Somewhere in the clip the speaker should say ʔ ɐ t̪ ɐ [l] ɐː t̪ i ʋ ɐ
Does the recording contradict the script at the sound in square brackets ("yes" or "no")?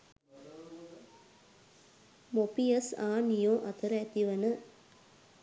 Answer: yes